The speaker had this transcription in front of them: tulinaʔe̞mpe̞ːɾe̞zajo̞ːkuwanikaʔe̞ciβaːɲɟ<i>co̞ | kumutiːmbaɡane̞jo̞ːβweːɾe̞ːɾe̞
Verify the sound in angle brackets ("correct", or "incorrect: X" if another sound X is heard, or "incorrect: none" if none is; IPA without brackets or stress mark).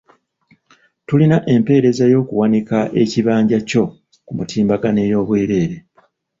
incorrect: a